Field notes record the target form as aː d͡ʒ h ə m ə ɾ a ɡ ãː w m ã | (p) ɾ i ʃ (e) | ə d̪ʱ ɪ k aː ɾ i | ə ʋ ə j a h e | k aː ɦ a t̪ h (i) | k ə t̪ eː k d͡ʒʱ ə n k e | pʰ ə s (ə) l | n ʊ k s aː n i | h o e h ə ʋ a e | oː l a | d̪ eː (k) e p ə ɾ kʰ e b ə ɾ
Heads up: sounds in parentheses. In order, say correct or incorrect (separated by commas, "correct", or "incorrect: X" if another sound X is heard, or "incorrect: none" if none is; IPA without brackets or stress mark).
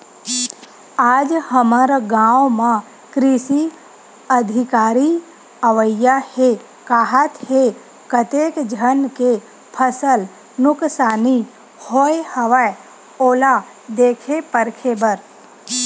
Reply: incorrect: k, incorrect: i, incorrect: e, correct, incorrect: kʰ